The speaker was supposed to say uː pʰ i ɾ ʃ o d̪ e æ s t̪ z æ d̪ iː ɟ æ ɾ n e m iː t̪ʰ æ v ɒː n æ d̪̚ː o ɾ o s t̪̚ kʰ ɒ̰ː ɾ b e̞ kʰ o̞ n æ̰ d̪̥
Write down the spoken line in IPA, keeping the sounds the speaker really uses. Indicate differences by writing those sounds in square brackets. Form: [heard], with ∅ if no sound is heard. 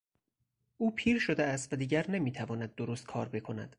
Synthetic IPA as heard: uː pʰ [iː] ɾ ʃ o d̪ e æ s t̪ [v] æ d̪ iː ɟ æ ɾ n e m iː t̪ʰ æ v ɒː n æ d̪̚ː o ɾ o s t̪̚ kʰ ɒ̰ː ɾ b e̞ kʰ o̞ n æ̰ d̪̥